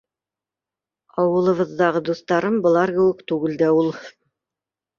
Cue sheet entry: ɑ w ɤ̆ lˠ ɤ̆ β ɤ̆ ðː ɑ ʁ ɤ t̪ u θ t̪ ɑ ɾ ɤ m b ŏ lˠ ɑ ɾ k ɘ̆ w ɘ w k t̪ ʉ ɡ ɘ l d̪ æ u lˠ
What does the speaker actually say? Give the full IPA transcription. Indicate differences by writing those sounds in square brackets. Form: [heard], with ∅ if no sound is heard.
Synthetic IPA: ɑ w ɤ̆ lˠ ɤ̆ β ɤ̆ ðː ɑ ʁ ɤ [d̪] u θ t̪ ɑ ɾ ɤ m b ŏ lˠ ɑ ɾ k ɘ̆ w ɘ [∅] k t̪ ʉ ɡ ɘ l d̪ æ u lˠ